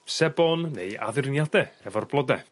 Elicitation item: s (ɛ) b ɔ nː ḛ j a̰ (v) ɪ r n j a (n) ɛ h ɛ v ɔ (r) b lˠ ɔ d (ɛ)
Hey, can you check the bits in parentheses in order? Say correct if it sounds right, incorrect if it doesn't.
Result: correct, incorrect: ð, incorrect: d, correct, correct

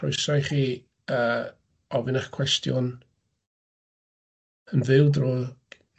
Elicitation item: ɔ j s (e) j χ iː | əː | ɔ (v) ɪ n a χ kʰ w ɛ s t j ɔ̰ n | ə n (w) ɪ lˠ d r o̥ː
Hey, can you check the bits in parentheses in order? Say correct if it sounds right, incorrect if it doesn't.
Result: incorrect: a, correct, incorrect: v

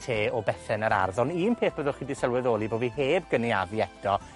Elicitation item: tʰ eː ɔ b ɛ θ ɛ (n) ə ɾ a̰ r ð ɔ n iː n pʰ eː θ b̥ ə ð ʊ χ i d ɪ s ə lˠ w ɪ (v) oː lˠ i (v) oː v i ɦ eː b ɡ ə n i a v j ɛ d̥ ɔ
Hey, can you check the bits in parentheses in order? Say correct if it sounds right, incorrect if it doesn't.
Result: correct, incorrect: ð, incorrect: b

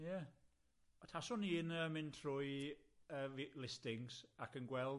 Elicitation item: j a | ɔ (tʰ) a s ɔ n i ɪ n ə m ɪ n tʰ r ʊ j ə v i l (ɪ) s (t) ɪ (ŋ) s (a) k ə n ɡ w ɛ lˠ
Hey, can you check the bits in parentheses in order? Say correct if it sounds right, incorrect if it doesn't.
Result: correct, correct, correct, correct, correct

